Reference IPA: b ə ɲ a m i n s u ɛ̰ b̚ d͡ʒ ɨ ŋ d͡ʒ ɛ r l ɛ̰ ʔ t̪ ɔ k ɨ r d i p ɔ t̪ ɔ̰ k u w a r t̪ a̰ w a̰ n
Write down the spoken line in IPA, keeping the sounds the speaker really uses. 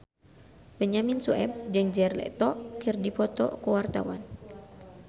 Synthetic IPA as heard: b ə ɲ a m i n s u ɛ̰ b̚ d͡ʒ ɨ ŋ d͡ʒ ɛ r l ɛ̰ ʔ t̪ ɔ k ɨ r d i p ɔ t̪ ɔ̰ k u w a r t̪ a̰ w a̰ n